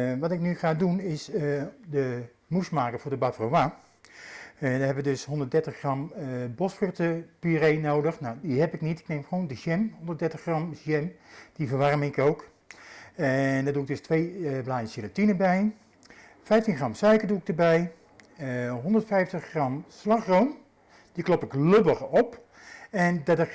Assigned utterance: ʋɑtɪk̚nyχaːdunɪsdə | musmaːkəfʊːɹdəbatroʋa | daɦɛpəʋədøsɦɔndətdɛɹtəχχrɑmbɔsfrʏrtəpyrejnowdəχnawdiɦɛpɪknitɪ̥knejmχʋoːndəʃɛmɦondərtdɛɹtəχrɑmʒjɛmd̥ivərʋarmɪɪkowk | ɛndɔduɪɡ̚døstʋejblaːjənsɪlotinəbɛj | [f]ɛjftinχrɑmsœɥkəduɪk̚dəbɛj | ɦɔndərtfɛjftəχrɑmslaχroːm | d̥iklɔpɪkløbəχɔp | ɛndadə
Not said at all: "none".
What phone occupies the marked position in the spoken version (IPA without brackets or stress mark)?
f